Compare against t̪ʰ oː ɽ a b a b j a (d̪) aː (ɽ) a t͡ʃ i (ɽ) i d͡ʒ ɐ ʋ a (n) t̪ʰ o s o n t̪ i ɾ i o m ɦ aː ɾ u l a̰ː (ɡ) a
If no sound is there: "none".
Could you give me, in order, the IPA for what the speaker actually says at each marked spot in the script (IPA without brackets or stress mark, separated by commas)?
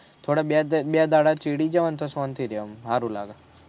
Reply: d̪, ɽ, ɽ, n, ɡ